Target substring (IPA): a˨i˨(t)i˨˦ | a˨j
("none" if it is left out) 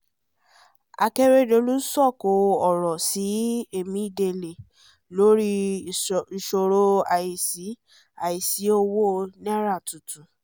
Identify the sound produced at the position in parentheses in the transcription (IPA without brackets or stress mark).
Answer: s